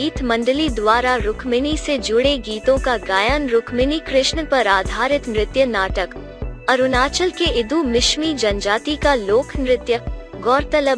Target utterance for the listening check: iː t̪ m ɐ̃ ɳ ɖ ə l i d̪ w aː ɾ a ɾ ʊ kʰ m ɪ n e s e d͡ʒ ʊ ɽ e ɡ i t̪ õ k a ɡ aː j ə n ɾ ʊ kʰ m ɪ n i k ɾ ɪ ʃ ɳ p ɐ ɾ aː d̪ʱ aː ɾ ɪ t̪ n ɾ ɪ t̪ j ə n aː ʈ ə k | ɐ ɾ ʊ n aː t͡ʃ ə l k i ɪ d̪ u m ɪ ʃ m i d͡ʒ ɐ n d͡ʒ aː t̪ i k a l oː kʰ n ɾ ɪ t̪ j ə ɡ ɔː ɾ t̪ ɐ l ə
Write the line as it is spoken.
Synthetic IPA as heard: iː t̪ m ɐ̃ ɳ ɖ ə l i d̪ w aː ɾ a ɾ ʊ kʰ m ɪ n i s e d͡ʒ ʊ ɽ e ɡ iː t̪ õ k a ɡ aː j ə n ɾ ʊ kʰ m ɪ n i k ɾ ɪ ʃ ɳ p ɐ ɾ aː d̪ʱ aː ɾ ɪ t̪ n ɾ ɪ t̪ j ə n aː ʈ ə k | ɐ ɾ ʊ n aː t͡ʃ ə l k e ɪ d̪ u m ɪ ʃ m i d͡ʒ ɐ n d͡ʒ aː t̪ i k a l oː kʰ n ɾ ɪ t̪ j ə ɡ ɔː ɾ t̪ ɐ l ə

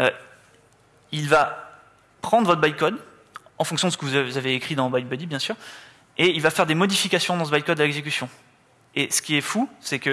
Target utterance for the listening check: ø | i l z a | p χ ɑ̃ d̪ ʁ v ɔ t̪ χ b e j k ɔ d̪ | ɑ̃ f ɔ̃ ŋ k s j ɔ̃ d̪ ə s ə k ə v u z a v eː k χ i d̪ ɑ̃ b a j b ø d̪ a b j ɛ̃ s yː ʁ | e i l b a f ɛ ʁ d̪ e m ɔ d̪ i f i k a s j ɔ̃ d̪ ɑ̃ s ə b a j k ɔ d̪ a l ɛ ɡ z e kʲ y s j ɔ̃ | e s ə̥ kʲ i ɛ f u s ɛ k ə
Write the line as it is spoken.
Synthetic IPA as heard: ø | i l v a | p χ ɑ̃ d̪ ʁ v ɔ t̪ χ b a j k ɔ d̪ | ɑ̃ f ɔ̃ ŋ k s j ɔ̃ d̪ ə s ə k ə v u z a v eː k χ i d̪ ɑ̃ b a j b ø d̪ i b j ɛ̃ s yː ʁ | e i l v a f ɛ ʁ d̪ e m ɔ d̪ i f i k a s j ɔ̃ d̪ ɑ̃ s ə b a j k ɔ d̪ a l ɛ ɡ z e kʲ y s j ɔ̃ | e s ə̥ kʲ i ɛ f u s ɛ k ə

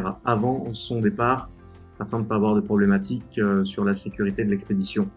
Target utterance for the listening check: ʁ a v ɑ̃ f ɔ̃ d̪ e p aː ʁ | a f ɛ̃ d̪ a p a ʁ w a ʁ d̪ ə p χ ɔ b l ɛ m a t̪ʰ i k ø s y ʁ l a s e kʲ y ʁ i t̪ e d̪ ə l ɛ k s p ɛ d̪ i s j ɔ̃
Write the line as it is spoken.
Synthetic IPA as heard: ʁ a v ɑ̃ s ɔ̃ d̪ e p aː ʁ | a f ɛ̃ d̪ ə p a v w a ʁ d̪ ə p χ ɔ b l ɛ m a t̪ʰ i k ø s y ʁ l a s e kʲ y ʁ i t̪ e d̪ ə l ɛ k s p e d̪ i s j ɔ̃

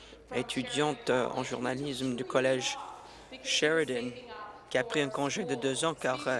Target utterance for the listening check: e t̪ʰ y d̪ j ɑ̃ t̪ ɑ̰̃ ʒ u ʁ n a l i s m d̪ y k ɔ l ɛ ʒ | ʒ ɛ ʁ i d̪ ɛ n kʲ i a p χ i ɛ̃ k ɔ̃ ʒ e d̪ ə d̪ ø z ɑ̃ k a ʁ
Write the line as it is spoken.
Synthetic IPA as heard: e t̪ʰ y d̪ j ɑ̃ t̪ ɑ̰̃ ʒ u ʁ n a l i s m d̪ y k ɔ l ɛ ʒ | ʃ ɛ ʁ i d̪ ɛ n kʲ i a p χ i ɛ̃ k ɔ̃ ʒ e d̪ ə d̪ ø z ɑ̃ k a ʁ

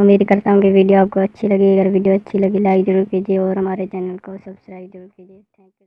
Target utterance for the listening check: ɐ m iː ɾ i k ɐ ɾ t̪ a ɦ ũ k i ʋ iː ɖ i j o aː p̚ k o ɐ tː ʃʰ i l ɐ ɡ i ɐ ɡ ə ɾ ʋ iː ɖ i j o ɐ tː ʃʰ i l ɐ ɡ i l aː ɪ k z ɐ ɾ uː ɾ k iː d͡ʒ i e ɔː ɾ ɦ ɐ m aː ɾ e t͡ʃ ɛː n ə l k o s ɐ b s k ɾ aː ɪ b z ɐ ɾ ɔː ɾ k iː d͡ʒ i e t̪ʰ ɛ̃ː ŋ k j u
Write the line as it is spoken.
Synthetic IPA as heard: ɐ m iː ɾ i k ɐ ɾ t̪ a ɦ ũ k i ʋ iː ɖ i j o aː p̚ k o ɐ tː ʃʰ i l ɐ ɡ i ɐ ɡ ə ɾ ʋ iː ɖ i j o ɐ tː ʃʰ i l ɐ ɡ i l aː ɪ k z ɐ ɾ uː ɾ k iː d͡ʒ i e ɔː ɾ ɦ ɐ m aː ɾ e t͡ʃ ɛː n ə l k o s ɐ b s k ɾ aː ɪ b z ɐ ɾ uː ɾ k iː d͡ʒ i e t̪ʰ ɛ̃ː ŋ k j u

